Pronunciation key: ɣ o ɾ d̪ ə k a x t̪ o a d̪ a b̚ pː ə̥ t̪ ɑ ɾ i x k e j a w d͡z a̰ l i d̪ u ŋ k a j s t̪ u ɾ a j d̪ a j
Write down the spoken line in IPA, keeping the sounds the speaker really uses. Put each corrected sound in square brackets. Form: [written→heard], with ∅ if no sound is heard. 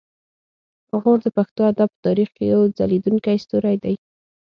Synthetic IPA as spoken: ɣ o ɾ d̪ ə [k→p] a x t̪ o a d̪ a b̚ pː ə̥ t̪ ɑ ɾ i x k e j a w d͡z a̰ l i d̪ u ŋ k a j s t̪ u ɾ a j d̪ a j

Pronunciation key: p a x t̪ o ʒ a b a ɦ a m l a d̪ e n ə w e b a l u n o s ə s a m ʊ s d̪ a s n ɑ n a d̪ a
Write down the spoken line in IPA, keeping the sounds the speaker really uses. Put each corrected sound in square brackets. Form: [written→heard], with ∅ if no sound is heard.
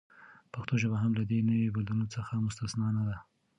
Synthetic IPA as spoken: p a x t̪ o ʒ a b a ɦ a m l a d̪ e n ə w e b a l u n o [s→t͡s] ə [s→x] a m ʊ s [d̪→t̪] a s n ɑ n a d̪ a

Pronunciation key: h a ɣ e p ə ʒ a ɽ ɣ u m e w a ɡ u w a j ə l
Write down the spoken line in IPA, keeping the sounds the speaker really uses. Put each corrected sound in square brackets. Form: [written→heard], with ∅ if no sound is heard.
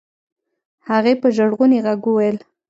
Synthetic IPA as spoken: h a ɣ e p ə ʒ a ɽ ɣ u [m→n] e [w→ɣ] a ɡ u w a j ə l

